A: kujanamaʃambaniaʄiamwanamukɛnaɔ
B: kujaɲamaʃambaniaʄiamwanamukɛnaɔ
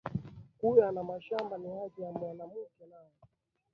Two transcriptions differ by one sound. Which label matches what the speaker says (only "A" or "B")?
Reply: A